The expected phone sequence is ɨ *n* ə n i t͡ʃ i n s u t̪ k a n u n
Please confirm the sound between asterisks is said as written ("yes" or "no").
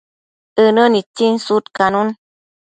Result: yes